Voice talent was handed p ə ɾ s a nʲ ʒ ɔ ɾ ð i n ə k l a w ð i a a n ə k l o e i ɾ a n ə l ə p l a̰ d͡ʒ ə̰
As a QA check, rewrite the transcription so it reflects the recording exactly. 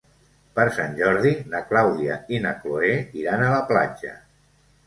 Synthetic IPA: p ə ɾ s a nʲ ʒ ɔ ɾ ð i n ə k l a w ð i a i n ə k l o e i ɾ a n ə l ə p l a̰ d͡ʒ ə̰